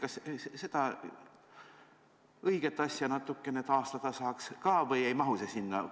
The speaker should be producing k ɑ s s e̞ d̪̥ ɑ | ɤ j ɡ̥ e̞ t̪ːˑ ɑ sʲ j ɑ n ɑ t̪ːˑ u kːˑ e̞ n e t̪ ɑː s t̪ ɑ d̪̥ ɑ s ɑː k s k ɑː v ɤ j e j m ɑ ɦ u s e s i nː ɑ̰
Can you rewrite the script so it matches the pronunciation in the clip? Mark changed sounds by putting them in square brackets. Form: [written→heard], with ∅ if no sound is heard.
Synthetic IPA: k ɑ s s e̞ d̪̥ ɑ | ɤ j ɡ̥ e̞ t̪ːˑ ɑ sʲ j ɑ n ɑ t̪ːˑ u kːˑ e̞ n e t̪ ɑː s t̪ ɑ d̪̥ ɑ s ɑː k s k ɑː v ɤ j e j m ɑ ɦ u s e s i nː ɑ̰